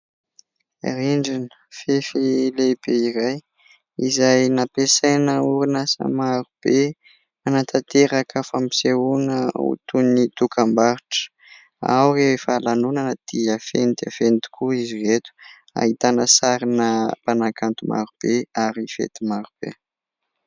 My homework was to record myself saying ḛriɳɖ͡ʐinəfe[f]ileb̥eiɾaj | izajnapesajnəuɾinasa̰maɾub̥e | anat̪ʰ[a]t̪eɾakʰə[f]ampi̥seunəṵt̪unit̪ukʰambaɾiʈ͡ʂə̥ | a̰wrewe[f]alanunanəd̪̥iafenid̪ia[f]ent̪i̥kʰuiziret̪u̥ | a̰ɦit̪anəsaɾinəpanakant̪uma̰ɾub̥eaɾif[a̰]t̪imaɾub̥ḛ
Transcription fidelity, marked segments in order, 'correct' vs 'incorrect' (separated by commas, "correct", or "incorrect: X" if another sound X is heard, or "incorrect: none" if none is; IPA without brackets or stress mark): correct, correct, correct, correct, correct, incorrect: ḛ